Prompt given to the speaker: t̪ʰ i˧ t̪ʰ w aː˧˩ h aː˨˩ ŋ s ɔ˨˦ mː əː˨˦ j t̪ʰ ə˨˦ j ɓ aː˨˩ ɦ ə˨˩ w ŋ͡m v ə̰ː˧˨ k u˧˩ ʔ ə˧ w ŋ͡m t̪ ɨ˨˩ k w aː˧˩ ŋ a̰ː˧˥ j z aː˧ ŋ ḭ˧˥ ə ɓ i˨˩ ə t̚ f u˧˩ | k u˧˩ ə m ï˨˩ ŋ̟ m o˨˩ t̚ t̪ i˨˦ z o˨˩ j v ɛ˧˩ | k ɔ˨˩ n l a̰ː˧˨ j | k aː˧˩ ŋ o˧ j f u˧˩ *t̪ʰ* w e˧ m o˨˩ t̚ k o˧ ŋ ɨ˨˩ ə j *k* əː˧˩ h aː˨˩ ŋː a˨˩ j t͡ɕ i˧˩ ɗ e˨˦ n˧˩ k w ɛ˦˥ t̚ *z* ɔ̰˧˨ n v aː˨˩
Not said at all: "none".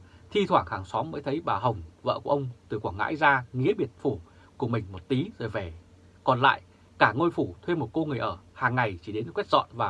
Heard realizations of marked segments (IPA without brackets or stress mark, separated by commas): t̪ʰ, ʔ, z